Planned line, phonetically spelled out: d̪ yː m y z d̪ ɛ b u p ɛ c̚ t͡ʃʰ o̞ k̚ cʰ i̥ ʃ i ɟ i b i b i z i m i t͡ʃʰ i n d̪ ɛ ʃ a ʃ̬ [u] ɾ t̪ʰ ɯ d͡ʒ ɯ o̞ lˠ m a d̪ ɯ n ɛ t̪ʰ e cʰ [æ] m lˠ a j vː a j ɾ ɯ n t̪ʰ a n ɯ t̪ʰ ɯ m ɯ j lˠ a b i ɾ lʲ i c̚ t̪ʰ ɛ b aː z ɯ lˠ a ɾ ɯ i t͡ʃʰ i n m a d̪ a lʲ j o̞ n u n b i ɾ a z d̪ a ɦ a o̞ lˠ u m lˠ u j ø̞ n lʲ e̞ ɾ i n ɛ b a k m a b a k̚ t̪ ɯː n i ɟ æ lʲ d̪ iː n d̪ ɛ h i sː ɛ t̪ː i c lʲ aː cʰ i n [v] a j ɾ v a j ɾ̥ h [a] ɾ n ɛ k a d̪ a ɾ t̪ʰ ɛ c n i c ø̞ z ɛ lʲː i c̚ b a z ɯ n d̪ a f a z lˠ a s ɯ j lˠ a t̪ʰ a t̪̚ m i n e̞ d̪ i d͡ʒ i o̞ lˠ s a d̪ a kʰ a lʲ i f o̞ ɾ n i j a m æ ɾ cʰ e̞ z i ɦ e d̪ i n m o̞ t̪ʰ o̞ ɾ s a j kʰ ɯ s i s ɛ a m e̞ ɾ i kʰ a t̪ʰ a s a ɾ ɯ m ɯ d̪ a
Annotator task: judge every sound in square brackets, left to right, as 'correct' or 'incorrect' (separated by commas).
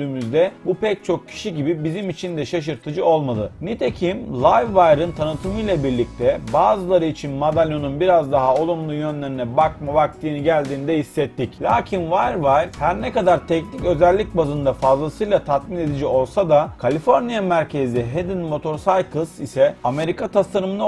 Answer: incorrect, incorrect, correct, incorrect